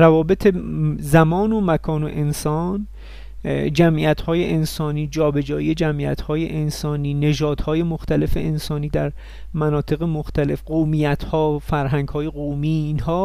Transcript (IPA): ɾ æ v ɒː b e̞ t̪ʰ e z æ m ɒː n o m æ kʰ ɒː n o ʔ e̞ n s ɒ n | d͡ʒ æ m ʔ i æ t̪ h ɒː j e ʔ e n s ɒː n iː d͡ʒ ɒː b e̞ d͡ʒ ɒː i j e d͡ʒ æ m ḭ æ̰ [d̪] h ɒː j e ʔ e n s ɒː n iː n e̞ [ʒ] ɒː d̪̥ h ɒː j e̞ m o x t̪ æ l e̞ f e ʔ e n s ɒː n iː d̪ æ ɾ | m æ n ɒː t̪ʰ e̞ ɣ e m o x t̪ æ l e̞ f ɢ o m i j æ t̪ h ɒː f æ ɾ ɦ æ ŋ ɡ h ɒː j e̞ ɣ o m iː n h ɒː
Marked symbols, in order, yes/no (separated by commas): no, yes